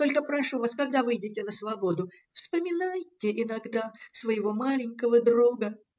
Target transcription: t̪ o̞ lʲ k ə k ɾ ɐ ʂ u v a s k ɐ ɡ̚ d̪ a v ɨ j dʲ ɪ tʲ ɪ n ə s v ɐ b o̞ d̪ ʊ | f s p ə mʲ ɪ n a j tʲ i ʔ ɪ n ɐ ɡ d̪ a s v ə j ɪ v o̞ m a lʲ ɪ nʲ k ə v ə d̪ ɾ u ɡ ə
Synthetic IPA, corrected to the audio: t̪ o̞ lʲ k ə p ɾ ɐ ʂ u v a s k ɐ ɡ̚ d̪ a v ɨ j dʲ ɪ tʲ ɪ n ə s v ɐ b o̞ d̪ ʊ | f s p ə mʲ ɪ n a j tʲ ɪ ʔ ɪ n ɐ ɡ d̪ a s v ə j ɪ v o̞ m a lʲ ɪ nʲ k ə v ə d̪ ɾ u ɡ ə